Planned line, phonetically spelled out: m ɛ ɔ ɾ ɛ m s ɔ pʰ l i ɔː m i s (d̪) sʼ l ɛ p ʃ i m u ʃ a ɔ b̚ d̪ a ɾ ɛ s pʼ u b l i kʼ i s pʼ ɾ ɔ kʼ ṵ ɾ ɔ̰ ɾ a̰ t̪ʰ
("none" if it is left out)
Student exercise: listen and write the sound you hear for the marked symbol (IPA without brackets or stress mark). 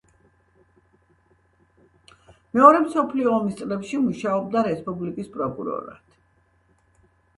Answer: t̪